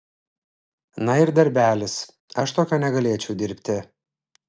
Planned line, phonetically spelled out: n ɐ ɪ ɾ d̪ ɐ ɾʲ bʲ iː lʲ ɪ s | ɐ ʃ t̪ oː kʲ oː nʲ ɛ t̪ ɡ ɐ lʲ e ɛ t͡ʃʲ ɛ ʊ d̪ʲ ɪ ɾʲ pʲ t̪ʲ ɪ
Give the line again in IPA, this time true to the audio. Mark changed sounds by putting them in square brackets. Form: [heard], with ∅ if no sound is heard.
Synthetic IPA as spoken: n ɐ ɪ ɾ d̪ ɐ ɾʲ bʲ [æː] lʲ ɪ s | ɐ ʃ t̪ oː kʲ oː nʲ ɛ [∅] ɡ ɐ lʲ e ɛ t͡ʃʲ ɛ ʊ d̪ʲ ɪ ɾʲ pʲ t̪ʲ ɪ